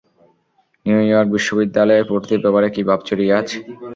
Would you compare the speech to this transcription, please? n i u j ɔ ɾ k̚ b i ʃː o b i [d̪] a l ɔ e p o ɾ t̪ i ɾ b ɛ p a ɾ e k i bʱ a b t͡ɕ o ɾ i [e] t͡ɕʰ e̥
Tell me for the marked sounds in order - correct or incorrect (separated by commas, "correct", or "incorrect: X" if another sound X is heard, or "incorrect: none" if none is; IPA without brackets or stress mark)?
incorrect: d̪ː, incorrect: a